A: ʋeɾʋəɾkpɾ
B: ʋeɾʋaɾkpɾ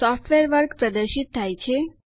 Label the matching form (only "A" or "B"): A